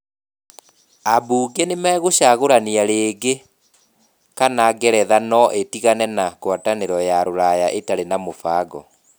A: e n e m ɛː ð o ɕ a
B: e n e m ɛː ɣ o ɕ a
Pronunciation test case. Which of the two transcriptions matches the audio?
B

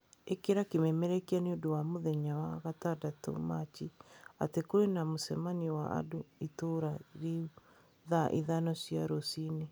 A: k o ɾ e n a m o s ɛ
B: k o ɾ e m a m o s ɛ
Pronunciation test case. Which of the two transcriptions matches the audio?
A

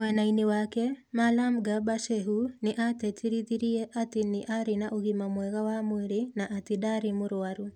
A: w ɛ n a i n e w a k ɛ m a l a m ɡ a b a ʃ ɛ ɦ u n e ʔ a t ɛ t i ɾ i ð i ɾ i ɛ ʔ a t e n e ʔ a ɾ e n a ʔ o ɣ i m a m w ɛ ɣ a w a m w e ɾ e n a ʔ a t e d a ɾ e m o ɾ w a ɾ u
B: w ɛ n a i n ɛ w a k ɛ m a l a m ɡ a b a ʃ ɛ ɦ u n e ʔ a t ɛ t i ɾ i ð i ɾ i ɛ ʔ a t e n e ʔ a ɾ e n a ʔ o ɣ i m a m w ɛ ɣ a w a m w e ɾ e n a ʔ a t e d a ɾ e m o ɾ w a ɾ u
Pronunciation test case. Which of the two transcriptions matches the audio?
A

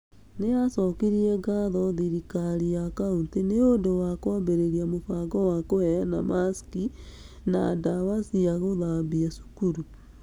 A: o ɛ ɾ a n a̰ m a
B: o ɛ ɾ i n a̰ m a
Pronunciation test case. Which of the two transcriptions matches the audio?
A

